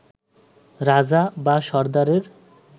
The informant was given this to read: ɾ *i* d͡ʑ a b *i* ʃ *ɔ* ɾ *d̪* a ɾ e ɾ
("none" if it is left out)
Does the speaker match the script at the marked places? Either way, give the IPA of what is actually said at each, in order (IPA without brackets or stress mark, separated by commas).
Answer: a, a, ɔ, d̪